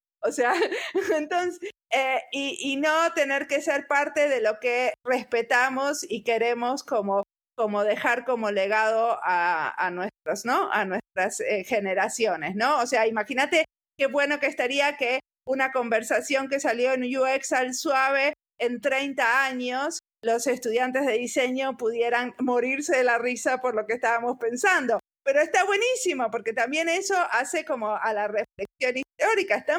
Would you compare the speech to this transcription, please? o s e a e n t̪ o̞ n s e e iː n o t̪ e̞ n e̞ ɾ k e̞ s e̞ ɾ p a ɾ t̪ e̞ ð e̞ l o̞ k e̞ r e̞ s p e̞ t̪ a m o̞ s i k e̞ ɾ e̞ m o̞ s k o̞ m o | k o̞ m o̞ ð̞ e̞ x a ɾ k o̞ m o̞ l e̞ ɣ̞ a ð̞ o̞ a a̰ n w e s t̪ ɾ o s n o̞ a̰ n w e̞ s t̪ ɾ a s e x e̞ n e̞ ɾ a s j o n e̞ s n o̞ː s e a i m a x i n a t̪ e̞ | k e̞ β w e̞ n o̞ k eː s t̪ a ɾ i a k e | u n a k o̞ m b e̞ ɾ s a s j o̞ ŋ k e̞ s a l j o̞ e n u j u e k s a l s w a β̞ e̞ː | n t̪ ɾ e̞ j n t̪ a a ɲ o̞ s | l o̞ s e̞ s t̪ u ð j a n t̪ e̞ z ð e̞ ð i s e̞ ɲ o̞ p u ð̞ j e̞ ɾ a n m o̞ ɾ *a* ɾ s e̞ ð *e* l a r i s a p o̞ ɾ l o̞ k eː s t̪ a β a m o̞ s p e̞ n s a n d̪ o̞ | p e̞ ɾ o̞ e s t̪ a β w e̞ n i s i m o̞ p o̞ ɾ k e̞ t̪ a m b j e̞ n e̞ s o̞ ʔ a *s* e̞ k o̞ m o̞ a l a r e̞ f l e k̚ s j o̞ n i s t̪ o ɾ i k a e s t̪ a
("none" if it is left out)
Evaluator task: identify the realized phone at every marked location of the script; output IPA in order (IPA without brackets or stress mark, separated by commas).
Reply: i, e, s